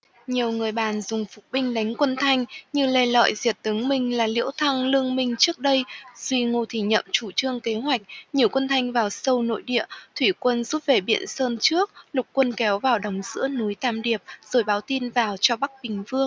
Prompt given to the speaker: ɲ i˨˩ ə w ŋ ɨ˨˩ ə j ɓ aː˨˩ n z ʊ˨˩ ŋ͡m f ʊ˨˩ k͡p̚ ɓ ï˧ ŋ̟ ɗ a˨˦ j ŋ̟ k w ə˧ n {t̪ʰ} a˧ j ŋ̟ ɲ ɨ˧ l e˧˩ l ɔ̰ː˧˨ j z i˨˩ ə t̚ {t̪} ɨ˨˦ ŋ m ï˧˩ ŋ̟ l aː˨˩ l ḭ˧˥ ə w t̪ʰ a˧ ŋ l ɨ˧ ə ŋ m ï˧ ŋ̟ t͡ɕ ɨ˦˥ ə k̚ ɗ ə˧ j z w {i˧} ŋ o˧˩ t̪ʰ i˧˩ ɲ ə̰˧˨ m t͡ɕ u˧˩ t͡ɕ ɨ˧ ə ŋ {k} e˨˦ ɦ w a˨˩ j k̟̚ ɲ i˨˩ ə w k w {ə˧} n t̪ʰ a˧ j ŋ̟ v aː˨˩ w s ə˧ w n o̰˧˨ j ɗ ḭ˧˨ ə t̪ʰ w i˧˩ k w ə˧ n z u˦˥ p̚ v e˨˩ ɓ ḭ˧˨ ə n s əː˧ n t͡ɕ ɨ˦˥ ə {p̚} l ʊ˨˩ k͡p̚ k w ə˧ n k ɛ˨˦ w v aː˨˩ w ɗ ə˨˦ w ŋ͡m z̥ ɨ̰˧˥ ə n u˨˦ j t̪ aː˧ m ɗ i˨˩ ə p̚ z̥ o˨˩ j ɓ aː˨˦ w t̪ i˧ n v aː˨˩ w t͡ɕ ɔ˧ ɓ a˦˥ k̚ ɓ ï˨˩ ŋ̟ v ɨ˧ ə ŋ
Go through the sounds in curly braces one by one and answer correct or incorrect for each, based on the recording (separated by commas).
correct, correct, correct, correct, correct, incorrect